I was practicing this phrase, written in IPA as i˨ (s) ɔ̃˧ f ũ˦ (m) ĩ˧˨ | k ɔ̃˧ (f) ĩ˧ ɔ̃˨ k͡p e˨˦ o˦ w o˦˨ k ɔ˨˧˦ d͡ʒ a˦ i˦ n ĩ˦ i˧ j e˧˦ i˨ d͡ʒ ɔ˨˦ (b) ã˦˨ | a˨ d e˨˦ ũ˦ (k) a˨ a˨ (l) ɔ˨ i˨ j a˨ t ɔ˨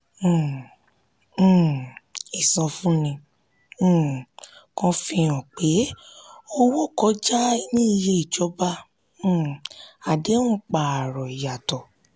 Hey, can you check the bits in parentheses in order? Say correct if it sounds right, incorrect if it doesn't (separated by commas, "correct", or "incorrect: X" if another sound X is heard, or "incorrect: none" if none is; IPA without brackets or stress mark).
correct, incorrect: n, correct, correct, incorrect: k͡p, incorrect: ɾ